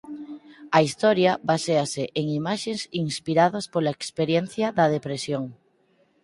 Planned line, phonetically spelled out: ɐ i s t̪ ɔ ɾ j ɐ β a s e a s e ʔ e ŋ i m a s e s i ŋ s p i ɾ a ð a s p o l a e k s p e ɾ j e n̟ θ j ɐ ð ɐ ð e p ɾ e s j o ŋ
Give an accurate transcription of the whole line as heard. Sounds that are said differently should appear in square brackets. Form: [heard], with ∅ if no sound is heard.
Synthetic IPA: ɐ i s t̪ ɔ ɾ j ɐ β a s e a s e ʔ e ŋ i m a [ʃ] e s i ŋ s p i ɾ a ð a s p o l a e k s p e ɾ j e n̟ θ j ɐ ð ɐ ð e p ɾ e s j o ŋ

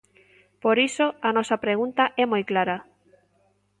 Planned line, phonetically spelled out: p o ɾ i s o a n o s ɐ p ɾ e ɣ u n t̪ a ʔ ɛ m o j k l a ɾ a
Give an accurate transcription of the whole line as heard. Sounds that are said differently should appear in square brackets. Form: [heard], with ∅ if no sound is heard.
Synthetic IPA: p o ɾ i s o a n [ɔ] s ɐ p ɾ e ɣ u n t̪ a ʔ ɛ m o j k l a ɾ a

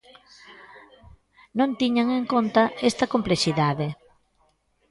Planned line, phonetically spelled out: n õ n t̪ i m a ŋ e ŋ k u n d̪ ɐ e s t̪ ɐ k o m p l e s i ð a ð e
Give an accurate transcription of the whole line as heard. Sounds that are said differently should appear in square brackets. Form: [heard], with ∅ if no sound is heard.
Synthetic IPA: n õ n t̪ i [ɲ] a ŋ e ŋ k [o] n [t̪] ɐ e s t̪ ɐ k o m p l e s i ð a ð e

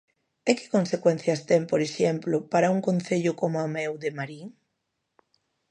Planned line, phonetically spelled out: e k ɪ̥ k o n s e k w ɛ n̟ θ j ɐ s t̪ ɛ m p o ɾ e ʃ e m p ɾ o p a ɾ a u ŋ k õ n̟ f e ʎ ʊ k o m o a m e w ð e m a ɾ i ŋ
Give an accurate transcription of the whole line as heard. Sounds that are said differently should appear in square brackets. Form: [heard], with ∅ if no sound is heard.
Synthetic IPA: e k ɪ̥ k o n s e k w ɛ n̟ θ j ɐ s t̪ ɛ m p o ɾ e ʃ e m p [l] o p a ɾ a u ŋ k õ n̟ [θ] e ʎ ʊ k o m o a m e w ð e m a ɾ i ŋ

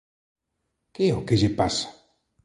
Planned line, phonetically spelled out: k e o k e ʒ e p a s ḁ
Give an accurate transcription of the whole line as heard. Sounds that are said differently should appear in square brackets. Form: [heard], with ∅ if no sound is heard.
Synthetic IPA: k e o k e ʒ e p a s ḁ

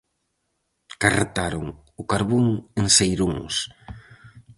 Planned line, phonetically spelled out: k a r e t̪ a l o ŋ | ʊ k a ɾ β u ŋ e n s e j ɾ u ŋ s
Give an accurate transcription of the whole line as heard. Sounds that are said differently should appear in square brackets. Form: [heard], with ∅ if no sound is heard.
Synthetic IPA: k a r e t̪ a [ɾ] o ŋ | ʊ k a ɾ β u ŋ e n s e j ɾ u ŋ s

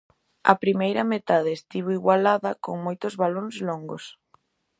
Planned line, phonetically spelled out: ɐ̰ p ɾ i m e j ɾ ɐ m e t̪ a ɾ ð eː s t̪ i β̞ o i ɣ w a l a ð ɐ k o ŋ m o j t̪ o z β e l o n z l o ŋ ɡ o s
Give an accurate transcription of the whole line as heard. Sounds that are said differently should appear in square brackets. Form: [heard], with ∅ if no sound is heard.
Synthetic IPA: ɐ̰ p ɾ i m e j ɾ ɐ m e t̪ a [∅] ð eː s t̪ i β̞ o i ɣ w a l a ð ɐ k o ŋ m o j t̪ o z β [a] l o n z l o ŋ ɡ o s

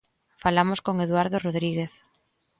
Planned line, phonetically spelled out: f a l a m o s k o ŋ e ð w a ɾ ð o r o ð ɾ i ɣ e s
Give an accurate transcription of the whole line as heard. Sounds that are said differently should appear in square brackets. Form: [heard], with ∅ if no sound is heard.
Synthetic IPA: f a l a m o s k o ŋ e ð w a ɾ ð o r o ð ɾ i ɣ e [θ]

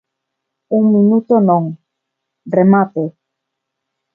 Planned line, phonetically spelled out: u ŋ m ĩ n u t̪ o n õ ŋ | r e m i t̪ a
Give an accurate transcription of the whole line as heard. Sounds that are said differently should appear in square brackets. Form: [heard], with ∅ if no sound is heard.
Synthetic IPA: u ŋ m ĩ n u t̪ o n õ ŋ | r e m [a] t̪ [e]

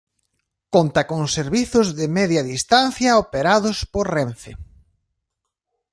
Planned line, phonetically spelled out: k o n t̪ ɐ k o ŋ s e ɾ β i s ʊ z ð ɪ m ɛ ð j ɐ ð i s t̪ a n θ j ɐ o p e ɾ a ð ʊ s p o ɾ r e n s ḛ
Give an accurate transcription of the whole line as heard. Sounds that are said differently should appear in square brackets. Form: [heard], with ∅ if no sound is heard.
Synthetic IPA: k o n t̪ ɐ k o ŋ s e ɾ β i [θ] ʊ z ð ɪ m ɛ ð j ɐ ð i s t̪ a n θ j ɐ o p e ɾ a ð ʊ s p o ɾ r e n [θ] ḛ

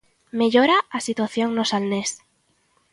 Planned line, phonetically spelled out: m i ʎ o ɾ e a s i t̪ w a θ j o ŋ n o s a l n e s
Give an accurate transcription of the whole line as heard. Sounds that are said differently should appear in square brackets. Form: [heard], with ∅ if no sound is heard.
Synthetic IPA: m [e] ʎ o ɾ [a] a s i t̪ w a θ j o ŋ n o s a l n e s

